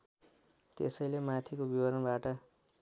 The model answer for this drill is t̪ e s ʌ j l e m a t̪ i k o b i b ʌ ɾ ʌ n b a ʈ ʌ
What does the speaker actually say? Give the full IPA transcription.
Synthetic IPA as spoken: t̪ e s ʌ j l e m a t̪ʰ i k o b i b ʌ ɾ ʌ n b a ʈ ʌ